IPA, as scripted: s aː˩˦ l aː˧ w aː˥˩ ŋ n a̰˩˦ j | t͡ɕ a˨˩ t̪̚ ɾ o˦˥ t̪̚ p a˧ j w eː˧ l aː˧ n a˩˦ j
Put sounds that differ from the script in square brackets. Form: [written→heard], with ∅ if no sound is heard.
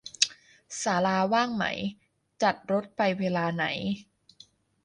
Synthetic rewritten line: s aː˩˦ l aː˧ w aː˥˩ ŋ [n→m] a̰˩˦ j | t͡ɕ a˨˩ t̪̚ ɾ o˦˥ t̪̚ p a˧ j w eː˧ l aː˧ n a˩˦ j